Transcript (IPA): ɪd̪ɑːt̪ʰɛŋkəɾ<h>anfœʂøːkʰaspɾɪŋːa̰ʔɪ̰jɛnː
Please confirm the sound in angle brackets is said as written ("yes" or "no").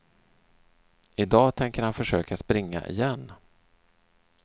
yes